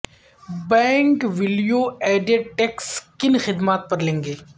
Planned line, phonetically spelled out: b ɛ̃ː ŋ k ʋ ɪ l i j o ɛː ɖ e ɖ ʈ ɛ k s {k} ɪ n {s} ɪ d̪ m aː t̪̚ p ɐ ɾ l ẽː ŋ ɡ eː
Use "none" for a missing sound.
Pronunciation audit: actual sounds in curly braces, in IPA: k, x

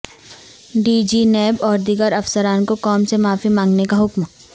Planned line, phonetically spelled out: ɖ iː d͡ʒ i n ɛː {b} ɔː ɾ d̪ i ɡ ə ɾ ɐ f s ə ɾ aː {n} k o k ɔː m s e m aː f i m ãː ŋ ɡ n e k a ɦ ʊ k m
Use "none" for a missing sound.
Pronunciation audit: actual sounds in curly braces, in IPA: b, n

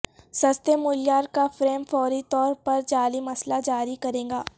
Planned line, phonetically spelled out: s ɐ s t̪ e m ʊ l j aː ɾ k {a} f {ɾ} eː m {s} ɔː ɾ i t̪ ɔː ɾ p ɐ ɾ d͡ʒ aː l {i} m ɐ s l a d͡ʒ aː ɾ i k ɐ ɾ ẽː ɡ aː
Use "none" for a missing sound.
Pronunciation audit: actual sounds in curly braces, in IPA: a, ɾ, f, i

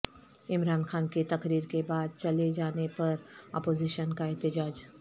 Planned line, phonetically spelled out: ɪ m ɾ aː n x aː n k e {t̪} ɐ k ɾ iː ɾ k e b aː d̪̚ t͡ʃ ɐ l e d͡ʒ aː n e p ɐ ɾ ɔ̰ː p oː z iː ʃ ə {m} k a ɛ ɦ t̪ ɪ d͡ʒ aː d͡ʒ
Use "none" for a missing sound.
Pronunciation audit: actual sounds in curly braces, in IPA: t̪, n

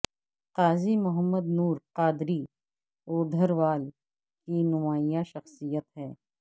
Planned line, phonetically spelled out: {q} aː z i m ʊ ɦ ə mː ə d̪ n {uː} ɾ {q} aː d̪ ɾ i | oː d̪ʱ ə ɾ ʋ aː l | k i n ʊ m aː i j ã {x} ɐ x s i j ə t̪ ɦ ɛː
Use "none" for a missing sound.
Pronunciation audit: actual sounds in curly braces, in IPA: q, uː, q, ʃ

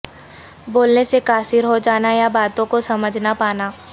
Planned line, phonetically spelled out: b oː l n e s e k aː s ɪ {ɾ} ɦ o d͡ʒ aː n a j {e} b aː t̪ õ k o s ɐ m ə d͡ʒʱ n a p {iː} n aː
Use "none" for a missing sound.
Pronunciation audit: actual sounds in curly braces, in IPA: ɾ, a, aː

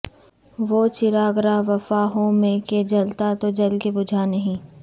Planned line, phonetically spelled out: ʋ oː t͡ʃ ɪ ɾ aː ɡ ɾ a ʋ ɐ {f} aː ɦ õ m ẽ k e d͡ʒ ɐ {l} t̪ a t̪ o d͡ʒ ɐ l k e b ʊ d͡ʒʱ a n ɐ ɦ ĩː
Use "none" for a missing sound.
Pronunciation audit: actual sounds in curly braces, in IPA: f, l

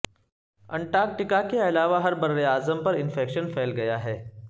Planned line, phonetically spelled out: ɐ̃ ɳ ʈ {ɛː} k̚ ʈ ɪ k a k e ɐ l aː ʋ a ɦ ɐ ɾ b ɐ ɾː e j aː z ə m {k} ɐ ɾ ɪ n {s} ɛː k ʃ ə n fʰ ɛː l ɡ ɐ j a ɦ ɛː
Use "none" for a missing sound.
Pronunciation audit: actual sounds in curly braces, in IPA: aː, p, f

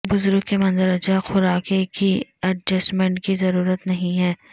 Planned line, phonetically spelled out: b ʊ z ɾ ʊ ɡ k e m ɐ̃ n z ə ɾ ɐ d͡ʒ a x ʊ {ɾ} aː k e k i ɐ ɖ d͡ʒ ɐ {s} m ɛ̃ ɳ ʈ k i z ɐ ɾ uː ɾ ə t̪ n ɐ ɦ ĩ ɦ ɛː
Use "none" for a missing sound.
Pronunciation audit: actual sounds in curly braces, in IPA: ɾ, s

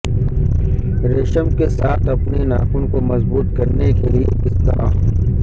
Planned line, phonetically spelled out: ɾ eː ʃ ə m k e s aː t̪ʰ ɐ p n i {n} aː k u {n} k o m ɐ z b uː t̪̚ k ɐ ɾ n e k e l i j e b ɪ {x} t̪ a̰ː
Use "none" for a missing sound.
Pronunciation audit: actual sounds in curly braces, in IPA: n, n, s

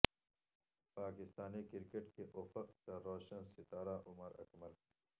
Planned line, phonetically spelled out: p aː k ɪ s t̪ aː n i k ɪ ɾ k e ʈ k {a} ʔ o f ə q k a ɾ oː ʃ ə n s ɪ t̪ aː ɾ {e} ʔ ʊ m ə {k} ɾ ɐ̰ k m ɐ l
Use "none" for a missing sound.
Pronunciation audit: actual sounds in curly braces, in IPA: e, a, none

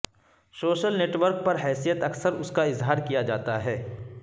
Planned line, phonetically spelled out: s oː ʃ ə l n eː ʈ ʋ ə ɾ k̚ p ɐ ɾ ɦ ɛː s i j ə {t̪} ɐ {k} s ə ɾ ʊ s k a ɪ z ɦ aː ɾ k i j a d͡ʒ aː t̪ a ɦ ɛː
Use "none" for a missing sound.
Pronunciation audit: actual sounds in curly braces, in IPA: t̪, k

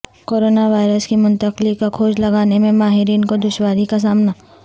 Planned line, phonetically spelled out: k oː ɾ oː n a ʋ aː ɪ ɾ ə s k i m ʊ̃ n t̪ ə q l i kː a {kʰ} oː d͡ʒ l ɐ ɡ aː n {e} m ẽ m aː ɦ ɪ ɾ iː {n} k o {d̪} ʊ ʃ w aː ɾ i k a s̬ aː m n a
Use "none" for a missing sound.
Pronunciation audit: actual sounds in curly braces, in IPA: kʰ, e, n, d̪

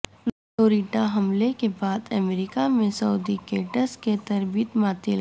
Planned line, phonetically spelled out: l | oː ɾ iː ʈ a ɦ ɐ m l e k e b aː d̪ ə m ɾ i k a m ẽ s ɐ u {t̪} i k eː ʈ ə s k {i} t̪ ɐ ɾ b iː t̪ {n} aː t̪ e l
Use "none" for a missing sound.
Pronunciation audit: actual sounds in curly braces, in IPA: d̪, e, m

